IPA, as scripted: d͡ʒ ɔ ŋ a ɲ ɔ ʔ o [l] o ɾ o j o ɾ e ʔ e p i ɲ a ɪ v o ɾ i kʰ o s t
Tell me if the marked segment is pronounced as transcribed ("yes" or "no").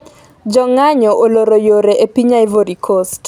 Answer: yes